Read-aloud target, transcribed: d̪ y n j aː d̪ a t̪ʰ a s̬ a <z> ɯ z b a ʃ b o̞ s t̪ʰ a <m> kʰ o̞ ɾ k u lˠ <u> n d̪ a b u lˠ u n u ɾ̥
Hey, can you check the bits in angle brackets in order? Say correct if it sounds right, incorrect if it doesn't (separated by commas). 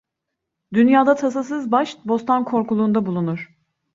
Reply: incorrect, incorrect, incorrect